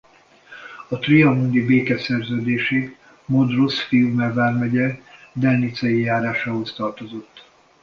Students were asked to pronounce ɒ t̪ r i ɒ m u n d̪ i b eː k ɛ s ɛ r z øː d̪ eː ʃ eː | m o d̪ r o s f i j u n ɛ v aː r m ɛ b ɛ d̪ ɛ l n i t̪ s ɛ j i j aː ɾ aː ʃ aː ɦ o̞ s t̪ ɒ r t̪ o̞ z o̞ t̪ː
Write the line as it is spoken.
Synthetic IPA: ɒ t̪ r i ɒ m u n d̪ i b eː k ɛ s ɛ r z øː d̪ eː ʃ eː | m o d̪ r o s f i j u m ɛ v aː r m ɛ ɟ ɛ d̪ ɛ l n i t̪ s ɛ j i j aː ɾ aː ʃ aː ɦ o̞ s t̪ ɒ r t̪ o̞ z o̞ t̪ː